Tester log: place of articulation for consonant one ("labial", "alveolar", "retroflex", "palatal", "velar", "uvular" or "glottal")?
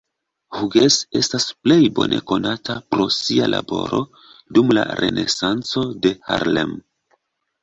glottal